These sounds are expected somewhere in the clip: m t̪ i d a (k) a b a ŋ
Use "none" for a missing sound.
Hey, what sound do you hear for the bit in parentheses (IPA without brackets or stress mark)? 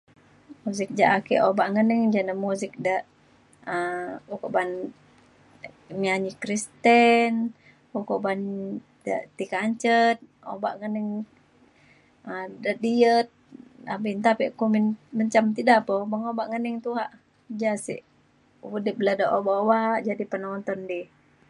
p